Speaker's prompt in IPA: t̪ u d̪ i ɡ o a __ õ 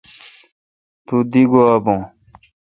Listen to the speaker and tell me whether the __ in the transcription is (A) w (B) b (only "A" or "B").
B